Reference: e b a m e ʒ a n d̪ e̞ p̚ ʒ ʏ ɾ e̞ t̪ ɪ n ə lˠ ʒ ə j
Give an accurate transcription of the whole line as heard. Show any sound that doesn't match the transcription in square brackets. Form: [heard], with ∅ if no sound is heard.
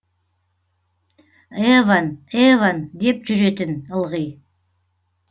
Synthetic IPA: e [v] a [n] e [v] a n d̪ e̞ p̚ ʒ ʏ ɾ e̞ t̪ ɪ n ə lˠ [ʁ] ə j